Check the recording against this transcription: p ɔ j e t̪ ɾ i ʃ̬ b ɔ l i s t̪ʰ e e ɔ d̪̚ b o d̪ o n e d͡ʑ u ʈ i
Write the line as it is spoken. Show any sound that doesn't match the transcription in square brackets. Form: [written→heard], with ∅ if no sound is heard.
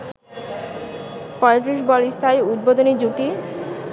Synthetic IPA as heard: p ɔ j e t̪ ɾ i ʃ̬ b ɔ l i s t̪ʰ [e→a] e [ɔ→u] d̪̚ b o d̪ o n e d͡ʑ u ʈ i